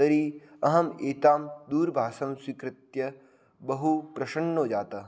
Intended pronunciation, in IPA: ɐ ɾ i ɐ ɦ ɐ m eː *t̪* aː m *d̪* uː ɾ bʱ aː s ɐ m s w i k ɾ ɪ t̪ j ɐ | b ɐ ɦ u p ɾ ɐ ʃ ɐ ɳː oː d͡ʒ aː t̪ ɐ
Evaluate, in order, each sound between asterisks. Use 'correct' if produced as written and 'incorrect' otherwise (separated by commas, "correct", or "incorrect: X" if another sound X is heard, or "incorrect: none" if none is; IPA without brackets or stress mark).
correct, correct